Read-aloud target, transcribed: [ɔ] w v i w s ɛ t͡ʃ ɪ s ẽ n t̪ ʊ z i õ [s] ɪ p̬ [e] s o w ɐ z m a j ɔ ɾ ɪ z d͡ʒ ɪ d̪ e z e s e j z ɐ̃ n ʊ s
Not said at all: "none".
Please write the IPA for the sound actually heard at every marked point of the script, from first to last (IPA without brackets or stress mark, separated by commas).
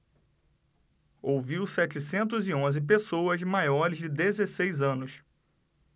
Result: o, z, e